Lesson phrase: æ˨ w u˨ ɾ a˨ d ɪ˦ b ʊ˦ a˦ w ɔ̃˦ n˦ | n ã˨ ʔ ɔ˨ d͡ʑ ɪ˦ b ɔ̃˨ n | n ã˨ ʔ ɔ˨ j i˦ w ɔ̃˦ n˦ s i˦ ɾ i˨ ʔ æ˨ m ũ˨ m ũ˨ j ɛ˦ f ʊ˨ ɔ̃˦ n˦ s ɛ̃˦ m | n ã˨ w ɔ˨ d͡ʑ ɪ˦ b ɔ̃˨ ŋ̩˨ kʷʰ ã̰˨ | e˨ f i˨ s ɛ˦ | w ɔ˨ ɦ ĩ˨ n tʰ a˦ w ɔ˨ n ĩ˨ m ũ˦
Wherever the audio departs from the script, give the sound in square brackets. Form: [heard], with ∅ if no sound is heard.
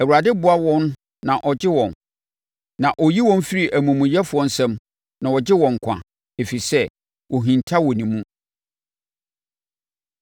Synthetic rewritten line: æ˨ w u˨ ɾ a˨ d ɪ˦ b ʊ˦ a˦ w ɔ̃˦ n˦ | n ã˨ ʔ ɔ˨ d͡ʑ ɪ˦ [w] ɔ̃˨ n | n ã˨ ʔ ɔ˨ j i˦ w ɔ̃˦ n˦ [f] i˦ ɾ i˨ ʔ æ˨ m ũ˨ m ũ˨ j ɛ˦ f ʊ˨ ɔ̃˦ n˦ s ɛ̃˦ m | n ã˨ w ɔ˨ d͡ʑ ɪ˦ [w] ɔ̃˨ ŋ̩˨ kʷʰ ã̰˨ | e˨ f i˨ s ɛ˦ | w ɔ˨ ɦ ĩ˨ n tʰ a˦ w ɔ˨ n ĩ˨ m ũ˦